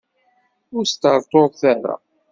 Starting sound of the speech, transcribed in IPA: ʊ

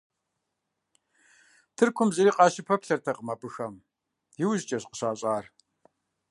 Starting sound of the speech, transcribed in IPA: tʰ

